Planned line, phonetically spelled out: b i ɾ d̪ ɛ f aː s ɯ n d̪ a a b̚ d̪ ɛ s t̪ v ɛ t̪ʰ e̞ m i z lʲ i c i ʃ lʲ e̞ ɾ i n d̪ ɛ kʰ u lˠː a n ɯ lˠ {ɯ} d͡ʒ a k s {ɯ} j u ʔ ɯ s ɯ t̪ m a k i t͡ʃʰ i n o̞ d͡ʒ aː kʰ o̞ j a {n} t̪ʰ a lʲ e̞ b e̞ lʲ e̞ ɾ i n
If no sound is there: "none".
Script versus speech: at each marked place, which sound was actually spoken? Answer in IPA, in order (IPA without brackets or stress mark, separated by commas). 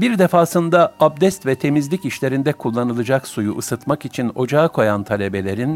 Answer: ɯ, u, n